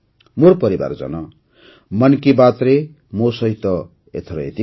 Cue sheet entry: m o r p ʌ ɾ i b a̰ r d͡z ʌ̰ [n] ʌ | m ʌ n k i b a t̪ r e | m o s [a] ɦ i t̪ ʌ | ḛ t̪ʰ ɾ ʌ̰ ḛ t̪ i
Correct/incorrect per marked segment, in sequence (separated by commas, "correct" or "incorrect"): correct, incorrect